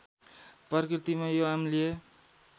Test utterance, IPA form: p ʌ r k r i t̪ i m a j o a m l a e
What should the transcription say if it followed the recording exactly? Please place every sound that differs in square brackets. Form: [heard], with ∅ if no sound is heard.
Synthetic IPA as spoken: p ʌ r k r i t̪ i m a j o a m l [i] e

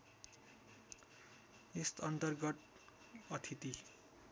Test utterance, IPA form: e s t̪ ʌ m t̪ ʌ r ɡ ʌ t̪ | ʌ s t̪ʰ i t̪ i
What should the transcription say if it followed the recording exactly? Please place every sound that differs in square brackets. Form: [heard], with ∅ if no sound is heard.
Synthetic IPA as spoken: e s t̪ ʌ [n] t̪ ʌ r ɡ ʌ t̪ | ʌ [∅] t̪ʰ i t̪ i

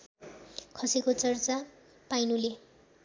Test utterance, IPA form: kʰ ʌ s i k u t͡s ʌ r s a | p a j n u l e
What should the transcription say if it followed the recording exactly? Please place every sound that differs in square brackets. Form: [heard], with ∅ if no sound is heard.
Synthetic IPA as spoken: kʰ ʌ s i k [o] t͡s ʌ r [t͡s] a | p a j n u l e

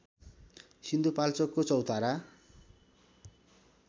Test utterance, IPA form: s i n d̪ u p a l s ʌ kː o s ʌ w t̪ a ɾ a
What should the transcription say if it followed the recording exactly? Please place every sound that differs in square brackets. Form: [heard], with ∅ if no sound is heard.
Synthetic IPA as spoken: s i n d̪ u p a l [t͡s] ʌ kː o [t͡s] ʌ w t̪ a ɾ a

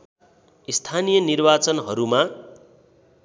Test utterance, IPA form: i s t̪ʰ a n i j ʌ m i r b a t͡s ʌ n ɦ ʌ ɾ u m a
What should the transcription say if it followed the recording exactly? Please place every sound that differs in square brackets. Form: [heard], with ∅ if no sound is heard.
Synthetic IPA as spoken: i s t̪ʰ a n i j ʌ [n] i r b a t͡s ʌ n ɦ ʌ ɾ u m a

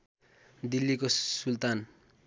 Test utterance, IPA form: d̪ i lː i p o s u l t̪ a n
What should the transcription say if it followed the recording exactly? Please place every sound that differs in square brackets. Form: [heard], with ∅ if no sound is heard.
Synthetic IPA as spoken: d̪ i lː i [k] o s u l t̪ a n

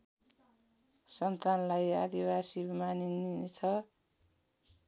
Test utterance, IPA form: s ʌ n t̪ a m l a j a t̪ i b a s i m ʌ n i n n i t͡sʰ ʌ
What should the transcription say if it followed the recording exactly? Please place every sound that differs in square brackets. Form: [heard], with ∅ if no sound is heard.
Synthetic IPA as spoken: s ʌ n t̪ a [n] l a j a [d̪] i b a s i m [a] n i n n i t͡sʰ ʌ

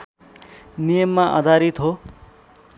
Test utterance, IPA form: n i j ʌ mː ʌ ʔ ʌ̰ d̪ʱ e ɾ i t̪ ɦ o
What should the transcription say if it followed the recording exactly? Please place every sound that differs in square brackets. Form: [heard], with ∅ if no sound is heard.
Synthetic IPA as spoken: n i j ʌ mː [a] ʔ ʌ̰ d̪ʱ [a] ɾ i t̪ ɦ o

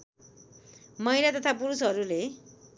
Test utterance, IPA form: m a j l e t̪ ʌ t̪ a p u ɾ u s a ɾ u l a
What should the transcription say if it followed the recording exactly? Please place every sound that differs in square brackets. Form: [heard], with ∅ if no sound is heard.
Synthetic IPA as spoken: m [ʌ] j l [a] t̪ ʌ [t̪ʰ] a p u ɾ u s [ʌ] ɾ u l [e]

